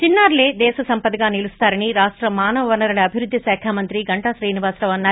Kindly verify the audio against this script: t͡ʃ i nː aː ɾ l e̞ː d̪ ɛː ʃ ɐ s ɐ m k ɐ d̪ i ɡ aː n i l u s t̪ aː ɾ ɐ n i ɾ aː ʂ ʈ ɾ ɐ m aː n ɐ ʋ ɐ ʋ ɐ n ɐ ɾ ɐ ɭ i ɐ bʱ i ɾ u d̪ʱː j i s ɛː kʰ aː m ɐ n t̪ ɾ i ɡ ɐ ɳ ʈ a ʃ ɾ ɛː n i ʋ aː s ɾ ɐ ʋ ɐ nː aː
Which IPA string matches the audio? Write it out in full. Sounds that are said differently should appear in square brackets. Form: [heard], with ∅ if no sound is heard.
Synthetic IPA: t͡ʃ i nː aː ɾ l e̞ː d̪ ɛː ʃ ɐ s ɐ m [p] ɐ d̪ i ɡ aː n i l u s t̪ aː ɾ ɐ n i ɾ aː ʂ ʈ ɾ ɐ m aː n ɐ ʋ ɐ ʋ ɐ n ɐ ɾ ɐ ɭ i ɐ bʱ i ɾ u d̪ʱː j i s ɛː kʰ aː m ɐ n t̪ ɾ i ɡ ɐ ɳ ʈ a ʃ ɾ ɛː n i ʋ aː s ɾ ɐ ʋ ɐ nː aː

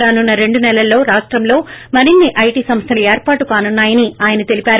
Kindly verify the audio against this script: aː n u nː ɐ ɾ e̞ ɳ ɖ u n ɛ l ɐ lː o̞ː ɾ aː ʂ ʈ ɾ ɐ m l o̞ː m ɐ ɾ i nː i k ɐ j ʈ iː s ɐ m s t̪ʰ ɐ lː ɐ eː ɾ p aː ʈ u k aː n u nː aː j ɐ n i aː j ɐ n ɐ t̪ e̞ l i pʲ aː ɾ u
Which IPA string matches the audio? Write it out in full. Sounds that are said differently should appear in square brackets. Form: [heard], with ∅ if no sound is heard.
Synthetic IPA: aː n u nː ɐ ɾ e̞ ɳ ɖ u n ɛ l ɐ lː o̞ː ɾ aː ʂ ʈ ɾ ɐ m l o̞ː m ɐ ɾ i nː i [ʔ] ɐ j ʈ iː s ɐ m s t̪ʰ ɐ [l] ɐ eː ɾ p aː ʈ u k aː n u nː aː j ɐ n i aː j ɐ n ɐ t̪ e̞ l i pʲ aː ɾ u

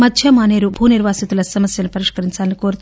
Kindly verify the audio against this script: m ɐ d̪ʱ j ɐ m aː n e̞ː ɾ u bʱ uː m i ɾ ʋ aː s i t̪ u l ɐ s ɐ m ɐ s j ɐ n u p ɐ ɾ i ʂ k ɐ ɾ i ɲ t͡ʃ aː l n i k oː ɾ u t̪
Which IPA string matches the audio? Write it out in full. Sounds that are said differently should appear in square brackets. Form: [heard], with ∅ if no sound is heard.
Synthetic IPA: m ɐ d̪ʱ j ɐ m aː n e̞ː ɾ u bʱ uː [n] i ɾ ʋ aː s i t̪ u l ɐ s ɐ m ɐ s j ɐ n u p ɐ ɾ i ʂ k ɐ ɾ i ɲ t͡ʃ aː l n i k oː ɾ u t̪

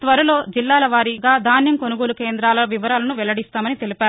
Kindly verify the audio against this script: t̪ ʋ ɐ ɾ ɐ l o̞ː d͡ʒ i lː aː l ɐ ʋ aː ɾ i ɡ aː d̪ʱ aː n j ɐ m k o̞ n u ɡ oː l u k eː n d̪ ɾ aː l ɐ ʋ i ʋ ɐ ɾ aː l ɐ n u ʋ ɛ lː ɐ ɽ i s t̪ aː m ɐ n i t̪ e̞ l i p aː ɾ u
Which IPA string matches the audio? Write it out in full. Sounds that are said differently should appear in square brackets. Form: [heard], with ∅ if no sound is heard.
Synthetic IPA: t̪ ʋ ɐ ɾ ɐ l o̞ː d͡ʒ i lː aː l ɐ ʋ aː ɾ i ɡ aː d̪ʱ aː n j ɐ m k o̞ n u ɡ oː l u k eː n d̪ ɾ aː l ɐ ʋ i ʋ ɐ ɾ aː l ɐ n u ʋ ɛ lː ɐ ɽ i s t̪ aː m ɐ n i t̪ e̞ l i p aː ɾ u

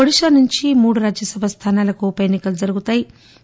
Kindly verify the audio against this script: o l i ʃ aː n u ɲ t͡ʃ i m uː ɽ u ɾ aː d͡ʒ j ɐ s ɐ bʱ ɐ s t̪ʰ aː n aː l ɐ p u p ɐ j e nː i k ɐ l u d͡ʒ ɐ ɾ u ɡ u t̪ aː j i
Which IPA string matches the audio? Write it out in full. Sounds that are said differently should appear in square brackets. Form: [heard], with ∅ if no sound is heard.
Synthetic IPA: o [ɽ] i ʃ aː n u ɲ t͡ʃ i m uː ɽ u ɾ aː d͡ʒ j ɐ s ɐ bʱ ɐ s t̪ʰ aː n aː l ɐ [k] u p ɐ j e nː i k ɐ l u d͡ʒ ɐ ɾ u ɡ u t̪ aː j i

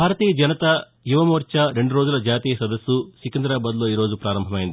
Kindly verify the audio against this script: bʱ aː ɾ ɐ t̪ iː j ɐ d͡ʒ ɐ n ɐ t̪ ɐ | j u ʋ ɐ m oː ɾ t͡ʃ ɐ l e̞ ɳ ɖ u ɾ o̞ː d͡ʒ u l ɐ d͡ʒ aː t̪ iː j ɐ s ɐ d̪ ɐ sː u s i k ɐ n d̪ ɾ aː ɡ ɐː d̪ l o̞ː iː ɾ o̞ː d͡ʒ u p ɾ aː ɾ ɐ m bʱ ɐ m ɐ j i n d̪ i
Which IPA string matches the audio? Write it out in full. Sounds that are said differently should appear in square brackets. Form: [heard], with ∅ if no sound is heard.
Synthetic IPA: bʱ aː ɾ ɐ t̪ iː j ɐ d͡ʒ ɐ n ɐ t̪ ɐ | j u ʋ ɐ m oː ɾ t͡ʃ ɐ [ɾ] e̞ ɳ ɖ u ɾ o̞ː d͡ʒ u l ɐ d͡ʒ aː t̪ iː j ɐ s ɐ d̪ ɐ sː u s i k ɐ n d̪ ɾ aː [b] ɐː d̪ l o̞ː iː ɾ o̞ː d͡ʒ u p ɾ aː ɾ ɐ m bʱ ɐ m ɐ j i n d̪ i

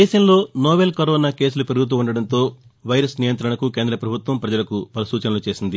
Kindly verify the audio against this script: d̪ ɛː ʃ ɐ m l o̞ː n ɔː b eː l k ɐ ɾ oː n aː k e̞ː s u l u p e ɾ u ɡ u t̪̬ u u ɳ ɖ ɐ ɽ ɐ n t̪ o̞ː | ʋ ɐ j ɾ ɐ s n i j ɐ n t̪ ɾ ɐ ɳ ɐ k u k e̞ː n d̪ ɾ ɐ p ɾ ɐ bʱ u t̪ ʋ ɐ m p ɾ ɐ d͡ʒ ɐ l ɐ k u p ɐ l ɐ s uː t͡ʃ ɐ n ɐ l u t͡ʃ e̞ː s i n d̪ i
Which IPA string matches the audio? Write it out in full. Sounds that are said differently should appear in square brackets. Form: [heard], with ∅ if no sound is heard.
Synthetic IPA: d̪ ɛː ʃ ɐ m l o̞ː n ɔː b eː l k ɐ ɾ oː n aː k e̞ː s u l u p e ɾ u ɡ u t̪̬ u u ɳ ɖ ɐ ɽ ɐ n t̪ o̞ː | ʋ ɐ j ɾ ɐ s n i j ɐ n t̪ ɾ ɐ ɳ ɐ k u k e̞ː n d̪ ɾ ɐ p ɾ ɐ bʱ u t̪ ʋ ɐ m p ɾ ɐ d͡ʒ ɐ l ɐ k u p ɐ l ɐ s uː t͡ʃ ɐ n ɐ l u t͡ʃ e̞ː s i n d̪ i

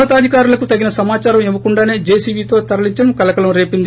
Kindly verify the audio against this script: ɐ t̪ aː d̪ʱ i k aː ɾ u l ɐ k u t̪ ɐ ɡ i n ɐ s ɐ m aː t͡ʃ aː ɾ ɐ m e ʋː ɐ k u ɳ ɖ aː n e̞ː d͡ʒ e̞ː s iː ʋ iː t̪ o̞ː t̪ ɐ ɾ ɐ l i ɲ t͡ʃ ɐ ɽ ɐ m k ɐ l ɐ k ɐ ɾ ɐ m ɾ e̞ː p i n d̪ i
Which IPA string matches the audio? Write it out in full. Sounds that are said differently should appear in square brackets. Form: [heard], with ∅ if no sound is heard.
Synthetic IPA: ɐ t̪ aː d̪ʱ i k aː ɾ u l ɐ k u t̪ ɐ ɡ i n ɐ s ɐ m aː t͡ʃ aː ɾ ɐ m e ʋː ɐ k u ɳ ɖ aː n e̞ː d͡ʒ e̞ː s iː ʋ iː t̪ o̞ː t̪ ɐ ɾ ɐ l i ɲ t͡ʃ ɐ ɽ ɐ m k ɐ l ɐ k ɐ [l] ɐ m ɾ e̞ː p i n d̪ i

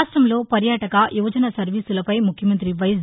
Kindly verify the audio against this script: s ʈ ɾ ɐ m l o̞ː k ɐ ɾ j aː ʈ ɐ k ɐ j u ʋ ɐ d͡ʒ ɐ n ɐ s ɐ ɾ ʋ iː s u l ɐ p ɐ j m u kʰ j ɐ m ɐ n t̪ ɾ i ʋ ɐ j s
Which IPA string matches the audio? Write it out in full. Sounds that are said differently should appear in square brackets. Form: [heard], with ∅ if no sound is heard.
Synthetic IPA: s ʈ ɾ ɐ m l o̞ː [p] ɐ ɾ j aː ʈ ɐ k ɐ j u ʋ ɐ d͡ʒ ɐ n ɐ s ɐ ɾ ʋ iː s u l ɐ p ɐ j m u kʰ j ɐ m ɐ n t̪ ɾ i ʋ ɐ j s

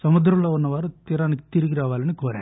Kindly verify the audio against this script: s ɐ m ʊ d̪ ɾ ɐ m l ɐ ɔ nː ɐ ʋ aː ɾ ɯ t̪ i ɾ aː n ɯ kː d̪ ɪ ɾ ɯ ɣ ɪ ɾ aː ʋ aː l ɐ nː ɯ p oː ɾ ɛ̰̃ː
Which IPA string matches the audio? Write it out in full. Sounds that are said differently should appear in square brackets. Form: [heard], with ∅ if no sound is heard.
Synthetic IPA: s ɐ m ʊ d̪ ɾ ɐ m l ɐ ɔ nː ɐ ʋ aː ɾ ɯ t̪ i ɾ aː n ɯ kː [t̪] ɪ ɾ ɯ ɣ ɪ ɾ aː ʋ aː l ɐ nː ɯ [k] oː ɾ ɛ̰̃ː

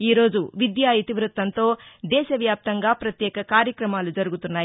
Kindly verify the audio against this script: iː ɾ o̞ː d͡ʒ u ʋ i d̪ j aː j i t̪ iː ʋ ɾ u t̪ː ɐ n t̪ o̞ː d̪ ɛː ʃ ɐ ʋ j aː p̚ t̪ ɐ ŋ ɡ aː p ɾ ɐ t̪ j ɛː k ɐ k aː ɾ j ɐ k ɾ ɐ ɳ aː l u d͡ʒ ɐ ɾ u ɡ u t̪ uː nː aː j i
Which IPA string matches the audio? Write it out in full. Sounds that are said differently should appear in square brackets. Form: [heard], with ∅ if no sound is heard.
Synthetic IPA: iː ɾ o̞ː d͡ʒ u ʋ i d̪ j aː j i t̪ [i] ʋ ɾ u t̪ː ɐ n t̪ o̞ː d̪ ɛː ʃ ɐ ʋ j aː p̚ t̪ ɐ ŋ ɡ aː p ɾ ɐ t̪ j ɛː k ɐ k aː ɾ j ɐ k ɾ ɐ [m] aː l u d͡ʒ ɐ ɾ u ɡ u t̪ [u] nː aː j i

